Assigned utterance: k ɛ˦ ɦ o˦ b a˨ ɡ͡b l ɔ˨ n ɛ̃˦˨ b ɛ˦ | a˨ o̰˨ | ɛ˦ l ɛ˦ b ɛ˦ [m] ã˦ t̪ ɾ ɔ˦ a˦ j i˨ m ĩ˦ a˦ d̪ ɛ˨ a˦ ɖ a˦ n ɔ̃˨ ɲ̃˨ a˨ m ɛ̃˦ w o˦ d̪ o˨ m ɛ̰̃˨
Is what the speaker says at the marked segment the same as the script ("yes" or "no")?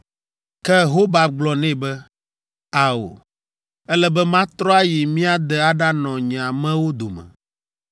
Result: yes